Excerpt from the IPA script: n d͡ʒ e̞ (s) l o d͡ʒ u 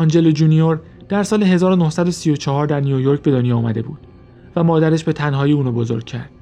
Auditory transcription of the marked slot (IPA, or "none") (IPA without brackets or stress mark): none